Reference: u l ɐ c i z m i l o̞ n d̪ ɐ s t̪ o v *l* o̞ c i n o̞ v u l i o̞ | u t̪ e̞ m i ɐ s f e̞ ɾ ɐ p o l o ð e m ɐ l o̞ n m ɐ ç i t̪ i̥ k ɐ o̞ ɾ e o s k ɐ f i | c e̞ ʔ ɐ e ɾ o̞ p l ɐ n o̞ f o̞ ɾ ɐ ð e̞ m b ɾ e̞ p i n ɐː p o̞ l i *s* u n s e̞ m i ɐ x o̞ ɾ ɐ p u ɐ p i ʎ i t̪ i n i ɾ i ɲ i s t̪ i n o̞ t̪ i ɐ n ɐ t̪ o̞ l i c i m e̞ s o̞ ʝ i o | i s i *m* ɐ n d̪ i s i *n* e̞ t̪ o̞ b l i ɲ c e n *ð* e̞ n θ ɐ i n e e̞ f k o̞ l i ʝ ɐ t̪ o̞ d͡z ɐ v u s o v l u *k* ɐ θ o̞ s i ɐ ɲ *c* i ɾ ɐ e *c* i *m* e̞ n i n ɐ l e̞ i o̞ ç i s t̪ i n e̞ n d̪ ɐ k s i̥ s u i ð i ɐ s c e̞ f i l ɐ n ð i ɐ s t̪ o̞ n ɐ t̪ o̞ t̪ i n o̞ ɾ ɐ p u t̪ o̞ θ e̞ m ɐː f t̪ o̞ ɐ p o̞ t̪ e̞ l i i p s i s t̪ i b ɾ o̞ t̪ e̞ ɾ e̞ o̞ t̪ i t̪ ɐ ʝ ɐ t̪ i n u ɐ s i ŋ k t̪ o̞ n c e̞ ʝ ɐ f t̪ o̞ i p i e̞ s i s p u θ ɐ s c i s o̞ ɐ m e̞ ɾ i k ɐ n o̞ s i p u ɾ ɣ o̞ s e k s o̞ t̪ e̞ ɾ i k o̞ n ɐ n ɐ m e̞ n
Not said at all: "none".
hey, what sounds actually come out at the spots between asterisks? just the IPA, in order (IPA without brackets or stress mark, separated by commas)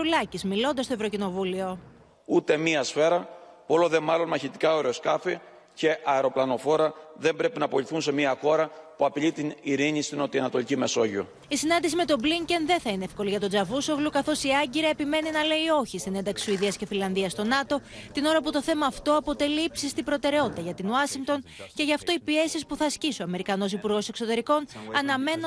ɾ, θ, n, m, ð, k, ɟ, p, m